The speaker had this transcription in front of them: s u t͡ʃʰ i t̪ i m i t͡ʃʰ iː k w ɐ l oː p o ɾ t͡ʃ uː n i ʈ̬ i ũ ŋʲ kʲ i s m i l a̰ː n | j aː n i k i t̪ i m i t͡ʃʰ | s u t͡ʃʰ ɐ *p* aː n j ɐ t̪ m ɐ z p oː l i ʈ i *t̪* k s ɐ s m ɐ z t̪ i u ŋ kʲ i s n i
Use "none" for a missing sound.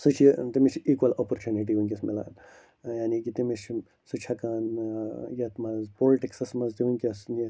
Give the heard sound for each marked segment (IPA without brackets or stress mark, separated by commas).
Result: k, none